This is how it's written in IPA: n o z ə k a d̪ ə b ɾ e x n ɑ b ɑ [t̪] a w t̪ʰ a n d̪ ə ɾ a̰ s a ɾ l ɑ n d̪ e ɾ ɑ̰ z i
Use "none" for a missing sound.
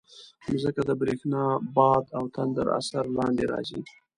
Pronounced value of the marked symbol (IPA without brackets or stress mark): d̪